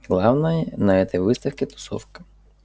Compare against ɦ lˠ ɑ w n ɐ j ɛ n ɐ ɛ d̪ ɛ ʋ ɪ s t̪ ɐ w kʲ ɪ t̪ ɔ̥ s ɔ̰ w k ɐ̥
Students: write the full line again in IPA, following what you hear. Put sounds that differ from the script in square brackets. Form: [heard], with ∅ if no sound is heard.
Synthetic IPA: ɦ lˠ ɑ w n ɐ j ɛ n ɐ ɛ [t̪] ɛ ʋ ɪ s t̪ ɐ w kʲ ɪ t̪ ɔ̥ s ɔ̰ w k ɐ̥